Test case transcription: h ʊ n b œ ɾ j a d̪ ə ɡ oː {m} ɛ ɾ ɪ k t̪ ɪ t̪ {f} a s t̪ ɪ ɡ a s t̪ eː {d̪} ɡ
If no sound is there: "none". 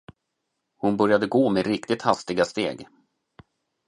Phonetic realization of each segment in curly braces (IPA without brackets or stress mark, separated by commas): m, h, none